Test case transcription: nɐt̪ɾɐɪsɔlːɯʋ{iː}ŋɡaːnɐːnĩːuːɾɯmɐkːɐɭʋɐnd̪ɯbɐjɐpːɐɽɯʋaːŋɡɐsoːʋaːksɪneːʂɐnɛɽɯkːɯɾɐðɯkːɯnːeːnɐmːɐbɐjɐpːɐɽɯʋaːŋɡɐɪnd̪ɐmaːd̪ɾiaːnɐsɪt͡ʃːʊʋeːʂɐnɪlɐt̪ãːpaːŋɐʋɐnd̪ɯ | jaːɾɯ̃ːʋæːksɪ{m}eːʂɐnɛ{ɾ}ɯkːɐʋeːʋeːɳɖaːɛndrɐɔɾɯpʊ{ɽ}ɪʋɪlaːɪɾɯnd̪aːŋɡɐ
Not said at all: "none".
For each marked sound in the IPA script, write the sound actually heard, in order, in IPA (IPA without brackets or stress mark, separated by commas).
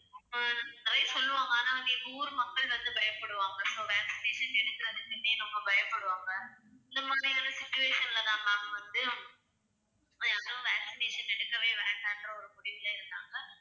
aː, n, ɽ, ɽ